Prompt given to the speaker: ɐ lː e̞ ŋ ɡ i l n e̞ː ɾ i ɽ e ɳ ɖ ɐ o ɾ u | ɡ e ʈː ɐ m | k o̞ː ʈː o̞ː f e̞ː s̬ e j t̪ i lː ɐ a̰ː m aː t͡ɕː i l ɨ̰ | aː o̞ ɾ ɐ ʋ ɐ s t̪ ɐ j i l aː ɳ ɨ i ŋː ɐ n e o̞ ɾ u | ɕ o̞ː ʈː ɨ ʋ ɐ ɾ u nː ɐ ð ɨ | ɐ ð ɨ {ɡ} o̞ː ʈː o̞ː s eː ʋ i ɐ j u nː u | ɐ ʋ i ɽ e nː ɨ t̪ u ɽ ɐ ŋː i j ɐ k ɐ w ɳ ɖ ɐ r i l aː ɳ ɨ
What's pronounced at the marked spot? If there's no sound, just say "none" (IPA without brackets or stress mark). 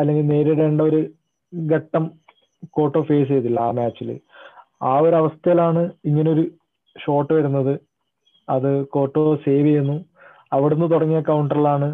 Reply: k